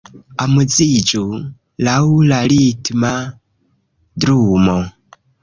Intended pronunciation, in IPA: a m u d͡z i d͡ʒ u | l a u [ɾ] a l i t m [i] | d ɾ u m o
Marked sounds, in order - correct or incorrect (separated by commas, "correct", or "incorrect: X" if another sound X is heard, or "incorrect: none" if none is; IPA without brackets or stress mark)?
incorrect: l, incorrect: a